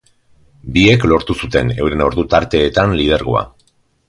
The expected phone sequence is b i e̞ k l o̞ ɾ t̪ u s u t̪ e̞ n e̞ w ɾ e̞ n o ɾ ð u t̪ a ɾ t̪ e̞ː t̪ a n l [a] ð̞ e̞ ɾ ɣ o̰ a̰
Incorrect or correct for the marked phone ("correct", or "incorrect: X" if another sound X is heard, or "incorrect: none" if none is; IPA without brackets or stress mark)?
incorrect: i